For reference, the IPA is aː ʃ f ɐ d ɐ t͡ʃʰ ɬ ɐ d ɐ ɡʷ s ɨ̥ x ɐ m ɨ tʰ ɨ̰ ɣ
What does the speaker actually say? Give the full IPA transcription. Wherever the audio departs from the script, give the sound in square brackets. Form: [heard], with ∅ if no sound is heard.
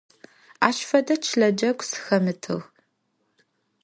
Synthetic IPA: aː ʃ f ɐ d ɐ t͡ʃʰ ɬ ɐ [d͡ʒ] ɐ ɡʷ s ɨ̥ x ɐ m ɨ tʰ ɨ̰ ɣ